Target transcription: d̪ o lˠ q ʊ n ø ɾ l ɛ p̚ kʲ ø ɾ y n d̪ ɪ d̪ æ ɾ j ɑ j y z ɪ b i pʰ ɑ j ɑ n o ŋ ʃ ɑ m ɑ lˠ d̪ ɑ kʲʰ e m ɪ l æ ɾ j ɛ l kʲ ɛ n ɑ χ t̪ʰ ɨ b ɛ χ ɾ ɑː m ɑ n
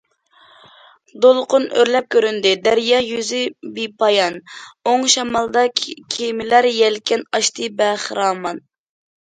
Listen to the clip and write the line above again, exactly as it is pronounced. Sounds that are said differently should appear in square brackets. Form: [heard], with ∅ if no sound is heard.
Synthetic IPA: d̪ o lˠ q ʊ n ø ɾ l ɛ p̚ kʲ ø ɾ y n d̪ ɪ d̪ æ ɾ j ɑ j y z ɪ b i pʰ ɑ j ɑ n o ŋ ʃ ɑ m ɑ lˠ d̪ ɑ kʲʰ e m ɪ l æ ɾ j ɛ l kʲ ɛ n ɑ [ʃ] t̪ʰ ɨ b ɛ χ ɾ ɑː m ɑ n